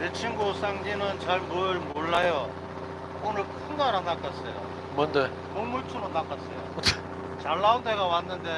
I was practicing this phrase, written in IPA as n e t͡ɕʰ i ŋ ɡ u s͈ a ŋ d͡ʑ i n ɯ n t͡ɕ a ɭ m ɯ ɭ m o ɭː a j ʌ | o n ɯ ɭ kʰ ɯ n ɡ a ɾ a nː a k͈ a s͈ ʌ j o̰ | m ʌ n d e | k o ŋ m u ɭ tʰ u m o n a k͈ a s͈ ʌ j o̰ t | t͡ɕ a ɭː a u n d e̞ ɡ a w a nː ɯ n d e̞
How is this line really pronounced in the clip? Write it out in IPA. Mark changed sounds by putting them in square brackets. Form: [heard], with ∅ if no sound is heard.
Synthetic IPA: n e t͡ɕʰ i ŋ ɡ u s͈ a ŋ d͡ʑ i n ɯ n t͡ɕ a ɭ m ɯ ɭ m o ɭː a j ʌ | o n ɯ ɭ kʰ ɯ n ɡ a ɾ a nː a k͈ a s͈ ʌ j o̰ | m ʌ n d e | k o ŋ m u ɭ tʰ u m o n a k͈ a s͈ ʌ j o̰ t | t͡ɕ a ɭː a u n d e̞ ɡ a w a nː ɯ n d e̞